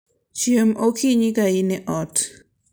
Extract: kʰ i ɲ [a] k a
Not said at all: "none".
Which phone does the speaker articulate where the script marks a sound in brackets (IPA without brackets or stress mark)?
i